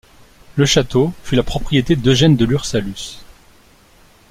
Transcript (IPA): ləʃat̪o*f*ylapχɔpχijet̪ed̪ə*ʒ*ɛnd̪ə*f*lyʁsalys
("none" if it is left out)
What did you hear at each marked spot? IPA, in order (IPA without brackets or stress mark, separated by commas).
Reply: f, ʒ, none